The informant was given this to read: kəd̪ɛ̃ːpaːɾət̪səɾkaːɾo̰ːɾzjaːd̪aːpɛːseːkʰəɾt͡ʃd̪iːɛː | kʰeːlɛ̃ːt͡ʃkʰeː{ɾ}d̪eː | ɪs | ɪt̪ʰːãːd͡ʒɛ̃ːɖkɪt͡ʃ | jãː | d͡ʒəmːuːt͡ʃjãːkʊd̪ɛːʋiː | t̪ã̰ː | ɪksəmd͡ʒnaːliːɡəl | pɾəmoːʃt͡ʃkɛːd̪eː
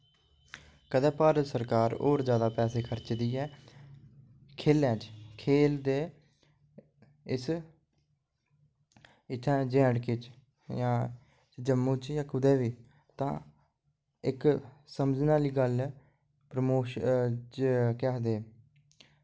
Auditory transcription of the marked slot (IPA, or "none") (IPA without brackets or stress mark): l